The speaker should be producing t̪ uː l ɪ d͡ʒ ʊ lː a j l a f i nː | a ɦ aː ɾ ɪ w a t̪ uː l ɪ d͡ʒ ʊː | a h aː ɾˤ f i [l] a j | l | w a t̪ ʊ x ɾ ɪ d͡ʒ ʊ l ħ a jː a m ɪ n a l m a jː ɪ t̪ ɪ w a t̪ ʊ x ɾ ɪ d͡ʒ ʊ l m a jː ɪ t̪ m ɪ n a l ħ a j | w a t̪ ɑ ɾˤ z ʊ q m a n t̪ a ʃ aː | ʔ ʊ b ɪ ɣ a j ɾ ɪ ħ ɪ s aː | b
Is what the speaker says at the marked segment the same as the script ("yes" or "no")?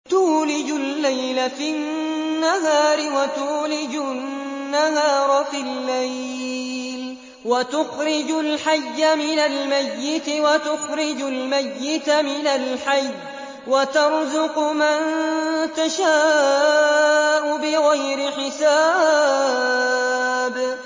no